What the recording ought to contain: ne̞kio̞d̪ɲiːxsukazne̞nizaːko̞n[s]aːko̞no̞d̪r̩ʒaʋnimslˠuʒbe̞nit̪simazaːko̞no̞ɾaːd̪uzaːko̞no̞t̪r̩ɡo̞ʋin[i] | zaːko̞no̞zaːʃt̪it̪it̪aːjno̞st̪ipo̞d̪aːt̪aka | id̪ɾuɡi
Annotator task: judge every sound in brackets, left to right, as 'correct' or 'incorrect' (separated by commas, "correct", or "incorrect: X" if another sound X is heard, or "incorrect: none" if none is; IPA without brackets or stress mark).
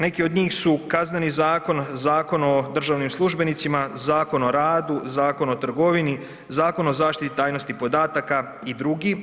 incorrect: z, correct